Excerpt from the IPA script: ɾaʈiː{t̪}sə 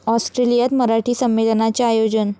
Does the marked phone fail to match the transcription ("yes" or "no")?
yes